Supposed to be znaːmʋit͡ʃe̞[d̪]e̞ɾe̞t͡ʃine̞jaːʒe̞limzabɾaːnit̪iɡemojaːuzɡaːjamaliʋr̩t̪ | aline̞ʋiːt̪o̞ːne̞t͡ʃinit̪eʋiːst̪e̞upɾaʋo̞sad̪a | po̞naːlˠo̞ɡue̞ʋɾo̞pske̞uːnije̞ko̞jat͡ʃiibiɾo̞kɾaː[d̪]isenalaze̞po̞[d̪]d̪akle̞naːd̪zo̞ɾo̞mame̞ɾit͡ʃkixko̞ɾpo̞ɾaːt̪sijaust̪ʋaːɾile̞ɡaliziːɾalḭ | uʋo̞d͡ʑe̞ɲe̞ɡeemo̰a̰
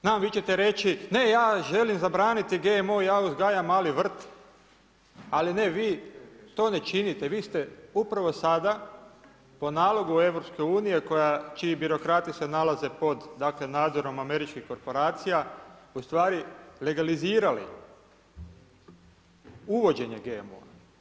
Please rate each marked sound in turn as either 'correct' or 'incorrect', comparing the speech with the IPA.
incorrect: t̪, incorrect: t̪, correct

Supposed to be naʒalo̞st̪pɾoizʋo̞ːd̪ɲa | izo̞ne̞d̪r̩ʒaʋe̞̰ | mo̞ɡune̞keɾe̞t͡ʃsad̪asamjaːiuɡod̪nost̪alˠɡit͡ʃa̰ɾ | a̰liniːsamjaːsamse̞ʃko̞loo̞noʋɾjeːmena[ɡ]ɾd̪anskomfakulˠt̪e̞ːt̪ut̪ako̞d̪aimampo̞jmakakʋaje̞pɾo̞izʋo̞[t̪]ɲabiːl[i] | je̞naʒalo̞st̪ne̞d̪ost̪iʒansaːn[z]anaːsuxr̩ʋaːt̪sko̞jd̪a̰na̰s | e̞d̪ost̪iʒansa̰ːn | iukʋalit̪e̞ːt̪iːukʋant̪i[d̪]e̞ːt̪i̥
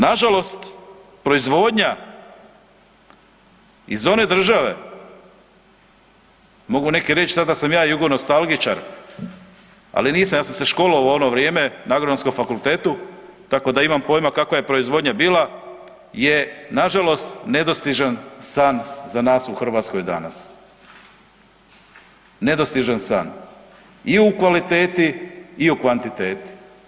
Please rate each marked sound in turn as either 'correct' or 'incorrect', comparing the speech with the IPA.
correct, incorrect: d̪, incorrect: a, correct, incorrect: t̪

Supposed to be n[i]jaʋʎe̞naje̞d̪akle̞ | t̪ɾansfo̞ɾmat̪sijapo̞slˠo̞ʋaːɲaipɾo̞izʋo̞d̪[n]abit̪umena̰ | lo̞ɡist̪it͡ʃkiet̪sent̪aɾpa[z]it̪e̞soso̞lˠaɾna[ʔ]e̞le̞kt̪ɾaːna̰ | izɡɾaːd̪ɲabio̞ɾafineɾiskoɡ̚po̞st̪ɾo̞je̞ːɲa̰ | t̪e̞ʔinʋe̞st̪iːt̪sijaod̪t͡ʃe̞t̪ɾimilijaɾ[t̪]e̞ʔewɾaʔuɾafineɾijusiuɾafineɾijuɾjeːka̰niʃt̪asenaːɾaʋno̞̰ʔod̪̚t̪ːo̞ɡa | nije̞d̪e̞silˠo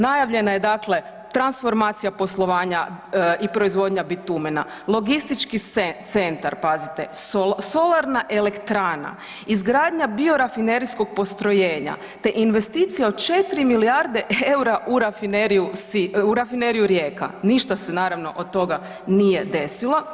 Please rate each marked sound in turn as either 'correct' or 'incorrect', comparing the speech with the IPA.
incorrect: a, incorrect: ɲ, correct, correct, incorrect: d̪

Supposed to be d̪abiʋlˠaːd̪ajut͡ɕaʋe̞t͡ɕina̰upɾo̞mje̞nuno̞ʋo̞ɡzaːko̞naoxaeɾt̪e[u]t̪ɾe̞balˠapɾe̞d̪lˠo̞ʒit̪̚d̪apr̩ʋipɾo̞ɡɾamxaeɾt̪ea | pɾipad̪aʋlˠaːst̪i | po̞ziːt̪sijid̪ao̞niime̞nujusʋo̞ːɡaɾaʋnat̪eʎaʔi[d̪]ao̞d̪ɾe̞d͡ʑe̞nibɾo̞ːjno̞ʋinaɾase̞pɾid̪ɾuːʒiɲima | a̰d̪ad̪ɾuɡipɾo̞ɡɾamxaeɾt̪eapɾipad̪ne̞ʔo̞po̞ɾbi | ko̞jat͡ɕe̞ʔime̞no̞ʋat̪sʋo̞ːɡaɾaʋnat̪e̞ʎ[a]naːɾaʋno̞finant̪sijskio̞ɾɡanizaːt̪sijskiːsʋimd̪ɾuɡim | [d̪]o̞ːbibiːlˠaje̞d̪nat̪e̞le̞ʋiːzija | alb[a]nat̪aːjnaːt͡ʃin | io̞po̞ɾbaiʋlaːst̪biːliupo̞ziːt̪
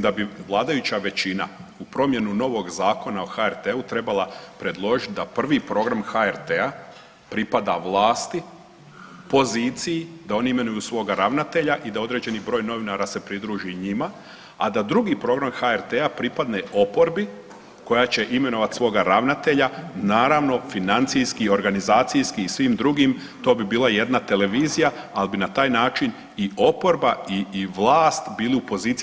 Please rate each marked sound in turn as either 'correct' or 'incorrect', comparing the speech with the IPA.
correct, correct, correct, incorrect: t̪, incorrect: i

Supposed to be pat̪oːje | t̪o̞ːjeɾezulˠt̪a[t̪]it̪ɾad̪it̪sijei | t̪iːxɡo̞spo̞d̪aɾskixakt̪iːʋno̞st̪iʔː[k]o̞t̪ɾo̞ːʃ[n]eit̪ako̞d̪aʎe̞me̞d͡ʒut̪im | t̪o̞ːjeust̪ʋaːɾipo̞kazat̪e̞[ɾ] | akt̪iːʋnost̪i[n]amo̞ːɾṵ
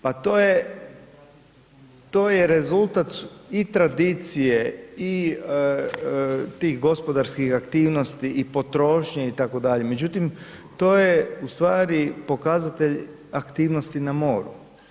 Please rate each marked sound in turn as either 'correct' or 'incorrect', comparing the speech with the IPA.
correct, incorrect: p, incorrect: ɲ, incorrect: ʎ, correct

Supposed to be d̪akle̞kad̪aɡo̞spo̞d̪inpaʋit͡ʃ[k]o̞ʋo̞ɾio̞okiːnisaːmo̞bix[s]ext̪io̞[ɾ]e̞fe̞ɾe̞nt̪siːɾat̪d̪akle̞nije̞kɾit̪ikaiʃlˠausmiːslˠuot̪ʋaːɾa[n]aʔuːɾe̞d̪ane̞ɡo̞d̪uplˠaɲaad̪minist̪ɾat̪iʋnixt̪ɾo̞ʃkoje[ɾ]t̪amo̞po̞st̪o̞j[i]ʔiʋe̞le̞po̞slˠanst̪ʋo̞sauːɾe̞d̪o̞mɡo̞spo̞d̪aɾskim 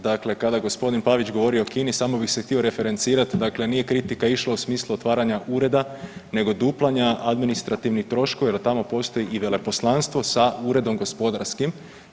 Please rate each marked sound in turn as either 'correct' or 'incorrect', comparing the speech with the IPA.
incorrect: ɡ, correct, correct, incorrect: ɲ, incorrect: l, correct

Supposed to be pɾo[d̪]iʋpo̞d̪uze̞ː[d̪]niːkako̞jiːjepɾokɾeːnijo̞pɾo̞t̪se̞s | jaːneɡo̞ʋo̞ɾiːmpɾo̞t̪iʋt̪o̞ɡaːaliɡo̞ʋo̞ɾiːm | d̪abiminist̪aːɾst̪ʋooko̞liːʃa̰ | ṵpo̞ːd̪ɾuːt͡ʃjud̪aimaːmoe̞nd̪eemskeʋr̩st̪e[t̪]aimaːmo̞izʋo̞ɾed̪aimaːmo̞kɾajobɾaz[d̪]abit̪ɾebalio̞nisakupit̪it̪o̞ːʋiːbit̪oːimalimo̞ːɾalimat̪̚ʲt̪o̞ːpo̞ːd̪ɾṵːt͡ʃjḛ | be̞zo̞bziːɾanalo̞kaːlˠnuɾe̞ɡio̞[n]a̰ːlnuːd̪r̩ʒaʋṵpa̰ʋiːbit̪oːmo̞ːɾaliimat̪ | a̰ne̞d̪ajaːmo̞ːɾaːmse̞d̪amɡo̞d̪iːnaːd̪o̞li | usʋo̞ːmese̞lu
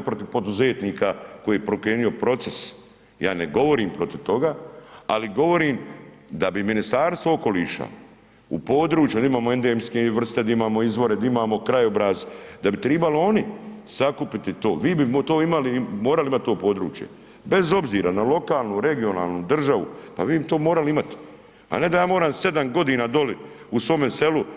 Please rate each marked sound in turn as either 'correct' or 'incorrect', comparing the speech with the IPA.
incorrect: t̪, incorrect: t̪, incorrect: d̪, correct, correct

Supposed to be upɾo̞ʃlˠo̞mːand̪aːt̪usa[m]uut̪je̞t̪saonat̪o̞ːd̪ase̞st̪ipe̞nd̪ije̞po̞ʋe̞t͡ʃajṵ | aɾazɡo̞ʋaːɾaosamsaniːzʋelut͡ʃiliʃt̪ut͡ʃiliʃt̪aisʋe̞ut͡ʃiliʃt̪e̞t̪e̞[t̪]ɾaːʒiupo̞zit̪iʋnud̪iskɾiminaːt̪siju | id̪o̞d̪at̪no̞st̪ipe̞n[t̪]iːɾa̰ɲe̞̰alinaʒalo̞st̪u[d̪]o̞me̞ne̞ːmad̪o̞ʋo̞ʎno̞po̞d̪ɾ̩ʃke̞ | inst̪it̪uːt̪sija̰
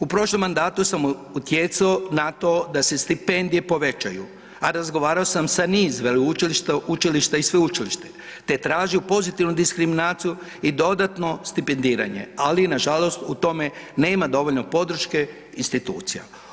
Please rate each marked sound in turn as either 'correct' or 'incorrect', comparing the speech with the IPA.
correct, correct, incorrect: d̪, incorrect: t̪

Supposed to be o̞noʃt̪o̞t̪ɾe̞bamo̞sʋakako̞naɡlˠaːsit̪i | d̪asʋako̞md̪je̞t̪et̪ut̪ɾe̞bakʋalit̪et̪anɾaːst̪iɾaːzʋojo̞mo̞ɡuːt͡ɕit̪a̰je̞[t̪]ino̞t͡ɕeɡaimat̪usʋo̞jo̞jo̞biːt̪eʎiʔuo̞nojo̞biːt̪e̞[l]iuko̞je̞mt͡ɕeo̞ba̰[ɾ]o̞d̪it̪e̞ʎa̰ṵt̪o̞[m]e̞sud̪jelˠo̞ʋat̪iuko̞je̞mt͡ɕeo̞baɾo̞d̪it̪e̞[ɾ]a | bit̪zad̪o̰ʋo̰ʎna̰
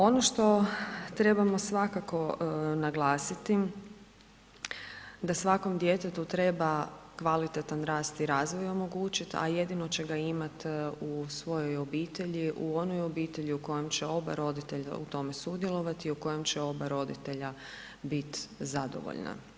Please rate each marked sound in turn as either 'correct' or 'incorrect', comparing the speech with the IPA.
incorrect: d̪, incorrect: ʎ, correct, correct, incorrect: ʎ

